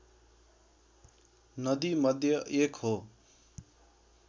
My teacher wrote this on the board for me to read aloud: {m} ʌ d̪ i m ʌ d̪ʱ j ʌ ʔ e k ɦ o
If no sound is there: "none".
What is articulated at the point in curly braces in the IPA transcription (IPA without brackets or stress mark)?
n